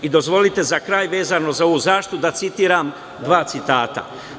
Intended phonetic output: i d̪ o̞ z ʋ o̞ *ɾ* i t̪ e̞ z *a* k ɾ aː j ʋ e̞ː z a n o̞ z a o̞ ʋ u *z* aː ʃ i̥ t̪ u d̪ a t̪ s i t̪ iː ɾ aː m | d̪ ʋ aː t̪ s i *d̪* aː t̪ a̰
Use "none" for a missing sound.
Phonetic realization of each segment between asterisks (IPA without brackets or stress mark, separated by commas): l, a, z, t̪